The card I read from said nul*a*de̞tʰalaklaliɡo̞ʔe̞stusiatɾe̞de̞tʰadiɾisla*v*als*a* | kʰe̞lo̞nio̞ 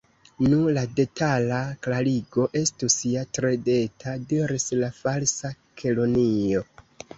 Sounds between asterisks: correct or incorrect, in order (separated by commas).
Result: correct, incorrect, correct